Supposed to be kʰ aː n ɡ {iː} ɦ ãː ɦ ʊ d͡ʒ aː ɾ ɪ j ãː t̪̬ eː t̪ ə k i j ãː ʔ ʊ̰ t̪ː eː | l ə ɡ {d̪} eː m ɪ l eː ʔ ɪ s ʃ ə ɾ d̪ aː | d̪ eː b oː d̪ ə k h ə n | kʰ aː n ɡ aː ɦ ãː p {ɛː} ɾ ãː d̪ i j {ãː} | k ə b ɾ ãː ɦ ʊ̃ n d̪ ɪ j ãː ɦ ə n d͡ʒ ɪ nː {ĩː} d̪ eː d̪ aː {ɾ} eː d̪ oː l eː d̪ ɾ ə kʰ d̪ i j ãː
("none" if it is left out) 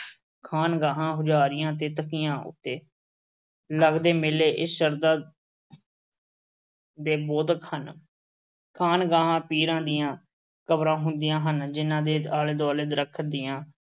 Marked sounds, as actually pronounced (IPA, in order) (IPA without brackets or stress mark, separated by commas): aː, d̪, iː, ãː, ãː, l